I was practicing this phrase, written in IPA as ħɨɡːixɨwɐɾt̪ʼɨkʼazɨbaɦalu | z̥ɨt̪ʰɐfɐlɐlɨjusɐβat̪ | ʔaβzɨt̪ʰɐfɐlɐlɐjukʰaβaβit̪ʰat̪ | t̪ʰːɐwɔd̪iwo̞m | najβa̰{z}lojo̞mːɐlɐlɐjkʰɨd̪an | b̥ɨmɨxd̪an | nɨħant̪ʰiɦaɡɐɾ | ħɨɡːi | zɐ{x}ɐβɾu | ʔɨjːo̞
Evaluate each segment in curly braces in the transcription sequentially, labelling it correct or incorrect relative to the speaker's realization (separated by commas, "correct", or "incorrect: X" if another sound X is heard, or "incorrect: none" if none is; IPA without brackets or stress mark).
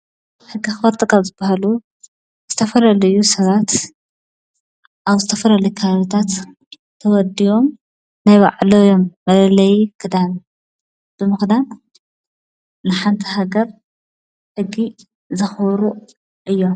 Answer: incorrect: ʕ, correct